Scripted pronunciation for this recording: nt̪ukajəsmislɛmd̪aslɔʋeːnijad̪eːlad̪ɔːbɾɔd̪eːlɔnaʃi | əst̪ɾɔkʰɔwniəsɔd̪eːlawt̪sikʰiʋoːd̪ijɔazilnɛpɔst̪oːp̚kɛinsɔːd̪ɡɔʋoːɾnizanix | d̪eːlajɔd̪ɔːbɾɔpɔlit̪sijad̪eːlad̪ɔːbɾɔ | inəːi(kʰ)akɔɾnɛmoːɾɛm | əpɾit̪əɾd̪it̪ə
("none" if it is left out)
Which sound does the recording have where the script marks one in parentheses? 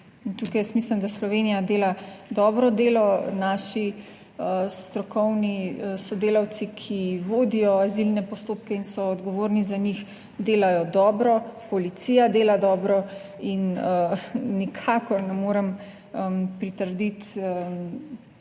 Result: kʰ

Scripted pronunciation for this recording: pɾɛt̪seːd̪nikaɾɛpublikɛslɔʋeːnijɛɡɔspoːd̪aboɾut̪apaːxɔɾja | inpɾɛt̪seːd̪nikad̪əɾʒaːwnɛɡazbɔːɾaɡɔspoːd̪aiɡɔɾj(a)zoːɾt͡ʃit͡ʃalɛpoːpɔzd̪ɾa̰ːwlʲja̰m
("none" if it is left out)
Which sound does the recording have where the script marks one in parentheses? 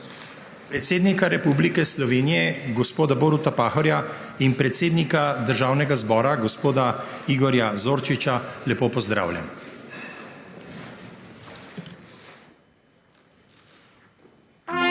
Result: a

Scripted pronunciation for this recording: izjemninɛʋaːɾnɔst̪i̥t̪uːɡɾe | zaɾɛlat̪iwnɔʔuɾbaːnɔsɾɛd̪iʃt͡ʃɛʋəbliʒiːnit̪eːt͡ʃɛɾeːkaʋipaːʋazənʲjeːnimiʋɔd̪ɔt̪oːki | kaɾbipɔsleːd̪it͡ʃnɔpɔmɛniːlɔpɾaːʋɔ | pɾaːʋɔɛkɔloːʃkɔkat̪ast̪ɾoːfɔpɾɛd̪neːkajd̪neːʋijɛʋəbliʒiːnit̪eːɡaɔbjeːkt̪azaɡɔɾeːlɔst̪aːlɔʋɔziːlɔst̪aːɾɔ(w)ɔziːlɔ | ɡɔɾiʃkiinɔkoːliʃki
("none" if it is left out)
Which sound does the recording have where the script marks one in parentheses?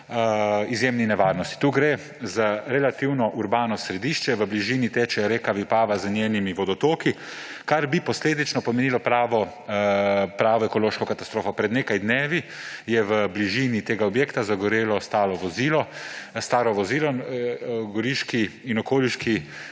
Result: ʋ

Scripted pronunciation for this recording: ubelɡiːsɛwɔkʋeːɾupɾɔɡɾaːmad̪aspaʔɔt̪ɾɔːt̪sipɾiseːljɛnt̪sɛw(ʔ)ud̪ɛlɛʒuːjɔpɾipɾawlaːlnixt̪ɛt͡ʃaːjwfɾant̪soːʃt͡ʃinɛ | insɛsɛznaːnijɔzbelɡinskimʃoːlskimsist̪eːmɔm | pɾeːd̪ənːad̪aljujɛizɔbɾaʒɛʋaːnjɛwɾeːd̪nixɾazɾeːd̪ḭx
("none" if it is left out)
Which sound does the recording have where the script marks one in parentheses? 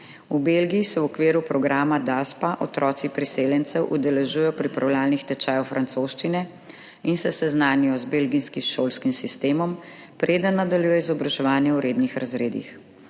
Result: ʔ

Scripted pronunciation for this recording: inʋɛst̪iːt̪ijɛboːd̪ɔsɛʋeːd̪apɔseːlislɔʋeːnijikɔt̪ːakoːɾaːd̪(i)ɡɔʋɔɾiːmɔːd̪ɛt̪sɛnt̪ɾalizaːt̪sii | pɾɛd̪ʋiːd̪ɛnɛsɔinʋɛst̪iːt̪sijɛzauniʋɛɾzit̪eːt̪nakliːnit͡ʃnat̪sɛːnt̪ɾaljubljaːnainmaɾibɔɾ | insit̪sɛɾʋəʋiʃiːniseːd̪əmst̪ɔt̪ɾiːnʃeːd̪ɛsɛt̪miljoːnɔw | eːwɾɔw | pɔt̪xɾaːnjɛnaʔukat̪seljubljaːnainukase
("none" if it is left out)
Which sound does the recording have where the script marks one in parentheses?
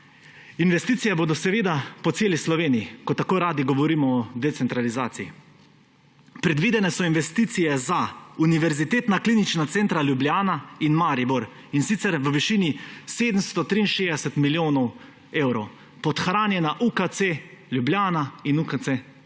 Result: i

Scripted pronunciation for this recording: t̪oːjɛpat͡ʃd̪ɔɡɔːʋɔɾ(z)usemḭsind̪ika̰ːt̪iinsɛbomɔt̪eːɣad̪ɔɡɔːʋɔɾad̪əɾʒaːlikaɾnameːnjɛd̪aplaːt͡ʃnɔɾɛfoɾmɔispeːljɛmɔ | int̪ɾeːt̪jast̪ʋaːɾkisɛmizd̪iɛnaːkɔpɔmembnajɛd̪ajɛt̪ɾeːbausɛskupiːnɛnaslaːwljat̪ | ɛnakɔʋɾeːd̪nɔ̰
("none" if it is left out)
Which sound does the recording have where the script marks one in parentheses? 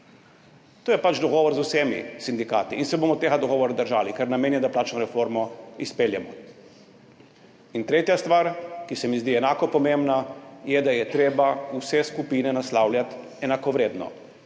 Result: z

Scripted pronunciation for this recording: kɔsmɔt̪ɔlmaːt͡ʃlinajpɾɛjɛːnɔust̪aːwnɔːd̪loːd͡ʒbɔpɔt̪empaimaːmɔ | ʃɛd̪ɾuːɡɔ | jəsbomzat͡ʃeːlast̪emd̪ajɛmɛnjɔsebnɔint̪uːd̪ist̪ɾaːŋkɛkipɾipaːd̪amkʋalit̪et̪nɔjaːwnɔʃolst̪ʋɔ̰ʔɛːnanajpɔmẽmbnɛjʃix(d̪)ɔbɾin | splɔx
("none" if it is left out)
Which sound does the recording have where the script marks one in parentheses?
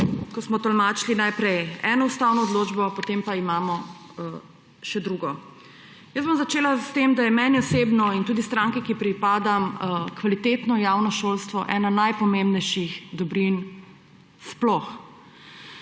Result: d̪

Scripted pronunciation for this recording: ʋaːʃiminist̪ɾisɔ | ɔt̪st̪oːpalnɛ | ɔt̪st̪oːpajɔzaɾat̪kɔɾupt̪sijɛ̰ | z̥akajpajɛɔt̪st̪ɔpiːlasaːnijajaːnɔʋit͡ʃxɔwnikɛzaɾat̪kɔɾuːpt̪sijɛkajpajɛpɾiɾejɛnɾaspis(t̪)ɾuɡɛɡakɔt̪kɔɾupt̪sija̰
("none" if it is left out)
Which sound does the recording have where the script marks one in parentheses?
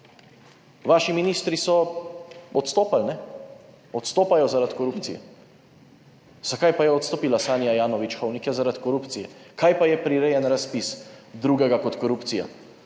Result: d̪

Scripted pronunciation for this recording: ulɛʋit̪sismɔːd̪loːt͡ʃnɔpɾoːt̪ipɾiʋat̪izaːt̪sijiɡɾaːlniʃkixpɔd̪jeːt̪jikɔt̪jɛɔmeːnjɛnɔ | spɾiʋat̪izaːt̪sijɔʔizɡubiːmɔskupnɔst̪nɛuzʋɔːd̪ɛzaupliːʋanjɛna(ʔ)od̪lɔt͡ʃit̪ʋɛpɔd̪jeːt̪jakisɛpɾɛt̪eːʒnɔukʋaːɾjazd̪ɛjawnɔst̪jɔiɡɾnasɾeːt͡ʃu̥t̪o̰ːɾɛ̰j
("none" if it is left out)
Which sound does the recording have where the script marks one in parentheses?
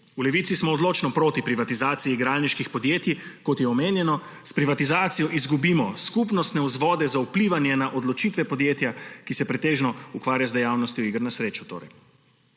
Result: ʔ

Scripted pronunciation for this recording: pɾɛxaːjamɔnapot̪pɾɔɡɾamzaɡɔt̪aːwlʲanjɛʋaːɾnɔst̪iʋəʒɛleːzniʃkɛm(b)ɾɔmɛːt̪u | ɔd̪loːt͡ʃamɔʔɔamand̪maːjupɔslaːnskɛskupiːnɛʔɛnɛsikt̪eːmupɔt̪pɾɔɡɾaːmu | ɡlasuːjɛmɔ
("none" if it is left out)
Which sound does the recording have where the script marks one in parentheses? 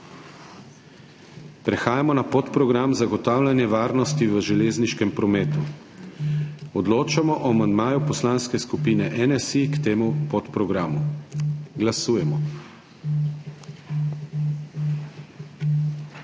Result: p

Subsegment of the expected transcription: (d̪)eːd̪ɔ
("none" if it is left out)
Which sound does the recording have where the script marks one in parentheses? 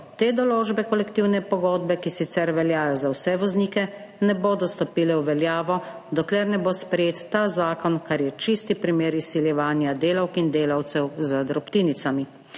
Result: t̪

